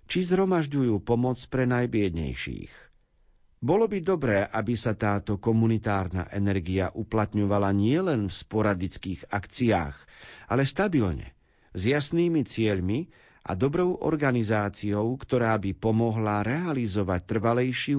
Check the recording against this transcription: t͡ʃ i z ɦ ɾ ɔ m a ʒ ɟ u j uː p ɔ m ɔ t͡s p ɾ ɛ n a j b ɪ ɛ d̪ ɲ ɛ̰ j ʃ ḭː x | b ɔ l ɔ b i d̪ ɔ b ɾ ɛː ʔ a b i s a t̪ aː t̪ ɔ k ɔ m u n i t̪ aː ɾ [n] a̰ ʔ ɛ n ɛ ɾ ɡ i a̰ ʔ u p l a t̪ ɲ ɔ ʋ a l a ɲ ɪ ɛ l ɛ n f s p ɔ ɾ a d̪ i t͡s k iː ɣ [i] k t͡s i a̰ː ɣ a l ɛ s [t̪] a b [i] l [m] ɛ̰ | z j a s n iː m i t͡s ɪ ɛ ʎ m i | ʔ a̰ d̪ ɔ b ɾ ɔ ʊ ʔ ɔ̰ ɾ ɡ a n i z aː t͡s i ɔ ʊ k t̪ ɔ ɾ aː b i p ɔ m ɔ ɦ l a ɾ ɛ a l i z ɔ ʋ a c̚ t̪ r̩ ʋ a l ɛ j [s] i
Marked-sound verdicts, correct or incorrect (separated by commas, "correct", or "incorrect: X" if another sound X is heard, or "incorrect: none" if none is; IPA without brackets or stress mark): correct, incorrect: a, correct, correct, incorrect: ɲ, incorrect: ʃ